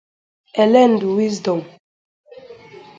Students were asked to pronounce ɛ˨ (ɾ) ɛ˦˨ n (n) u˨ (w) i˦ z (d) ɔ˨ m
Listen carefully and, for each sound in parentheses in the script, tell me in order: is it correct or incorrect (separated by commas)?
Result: incorrect, incorrect, correct, correct